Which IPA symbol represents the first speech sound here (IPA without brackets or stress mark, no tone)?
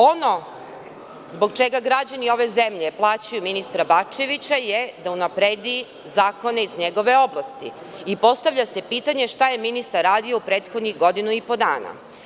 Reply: o̞